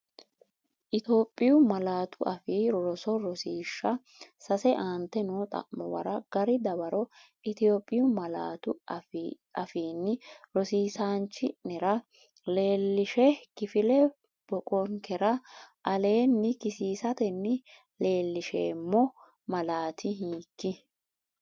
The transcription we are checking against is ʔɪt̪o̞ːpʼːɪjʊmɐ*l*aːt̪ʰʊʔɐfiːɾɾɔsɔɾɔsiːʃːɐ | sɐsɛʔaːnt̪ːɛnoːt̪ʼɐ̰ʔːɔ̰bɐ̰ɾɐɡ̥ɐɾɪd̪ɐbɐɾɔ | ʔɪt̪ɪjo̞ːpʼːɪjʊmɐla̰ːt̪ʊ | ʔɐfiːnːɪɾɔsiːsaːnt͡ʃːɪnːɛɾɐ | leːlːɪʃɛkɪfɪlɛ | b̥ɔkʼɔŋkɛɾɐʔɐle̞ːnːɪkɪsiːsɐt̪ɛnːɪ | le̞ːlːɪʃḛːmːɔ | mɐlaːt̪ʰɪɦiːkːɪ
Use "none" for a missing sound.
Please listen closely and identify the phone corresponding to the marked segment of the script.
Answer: l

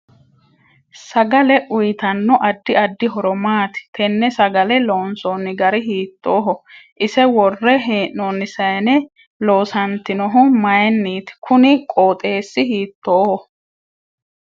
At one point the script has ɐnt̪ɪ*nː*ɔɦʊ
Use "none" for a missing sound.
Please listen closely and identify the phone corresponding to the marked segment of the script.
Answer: n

